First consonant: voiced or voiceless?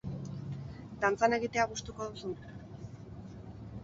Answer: voiced